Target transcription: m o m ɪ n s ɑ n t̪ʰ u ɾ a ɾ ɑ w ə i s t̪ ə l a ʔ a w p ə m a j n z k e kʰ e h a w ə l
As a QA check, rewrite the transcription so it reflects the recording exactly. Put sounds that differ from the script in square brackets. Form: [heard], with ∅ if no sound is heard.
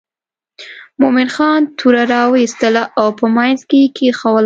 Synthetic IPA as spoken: m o m ɪ n [x] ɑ n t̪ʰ u ɾ a ɾ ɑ w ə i s t̪ ə l a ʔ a w p ə m a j n z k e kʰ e [x] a w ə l